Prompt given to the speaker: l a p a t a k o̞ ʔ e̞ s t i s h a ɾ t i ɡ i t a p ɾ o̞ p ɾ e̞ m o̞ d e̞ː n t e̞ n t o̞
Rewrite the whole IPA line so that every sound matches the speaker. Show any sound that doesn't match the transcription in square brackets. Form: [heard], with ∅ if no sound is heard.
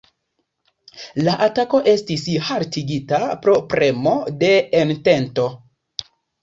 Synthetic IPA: l a [ʔ] a t a k o̞ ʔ e̞ s t i s h a ɾ t i ɡ i t a p ɾ o̞ p ɾ e̞ m o̞ d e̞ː n t e̞ n t o̞